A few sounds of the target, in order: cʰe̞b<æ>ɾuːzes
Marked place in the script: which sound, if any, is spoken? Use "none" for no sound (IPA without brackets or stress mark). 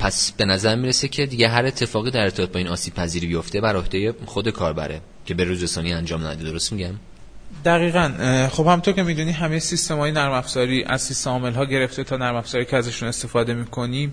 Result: e